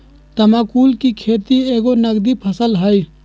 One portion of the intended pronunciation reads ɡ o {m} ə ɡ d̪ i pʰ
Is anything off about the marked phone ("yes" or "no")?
yes